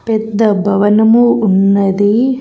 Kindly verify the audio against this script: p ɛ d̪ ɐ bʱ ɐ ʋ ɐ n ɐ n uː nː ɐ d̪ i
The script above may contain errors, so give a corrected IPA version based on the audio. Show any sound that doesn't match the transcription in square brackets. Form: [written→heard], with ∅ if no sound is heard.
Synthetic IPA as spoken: p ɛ [d̪→d̪ː] ɐ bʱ ɐ ʋ ɐ n ɐ [n→m] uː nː ɐ d̪ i